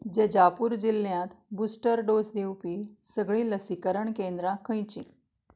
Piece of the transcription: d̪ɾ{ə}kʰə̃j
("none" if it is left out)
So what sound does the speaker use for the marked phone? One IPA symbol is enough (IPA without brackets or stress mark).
a